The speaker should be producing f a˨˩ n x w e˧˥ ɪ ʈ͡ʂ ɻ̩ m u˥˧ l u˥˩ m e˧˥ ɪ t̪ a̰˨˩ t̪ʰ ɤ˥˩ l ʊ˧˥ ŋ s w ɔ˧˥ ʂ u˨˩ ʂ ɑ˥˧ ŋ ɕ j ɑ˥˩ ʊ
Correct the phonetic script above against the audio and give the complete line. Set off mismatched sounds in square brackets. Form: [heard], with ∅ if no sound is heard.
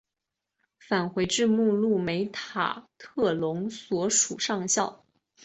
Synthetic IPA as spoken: f a˨˩ n x w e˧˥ ɪ ʈ͡ʂ ɻ̩ m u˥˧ l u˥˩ m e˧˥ ɪ [t̪ʰ] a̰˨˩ t̪ʰ ɤ˥˩ l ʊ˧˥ ŋ s w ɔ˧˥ ʂ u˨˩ ʂ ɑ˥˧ ŋ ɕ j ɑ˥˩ ʊ